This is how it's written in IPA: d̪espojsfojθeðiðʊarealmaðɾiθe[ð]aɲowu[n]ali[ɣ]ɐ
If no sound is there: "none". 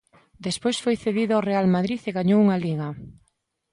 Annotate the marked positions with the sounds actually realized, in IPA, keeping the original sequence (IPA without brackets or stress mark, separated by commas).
ɣ, ŋ, ɣ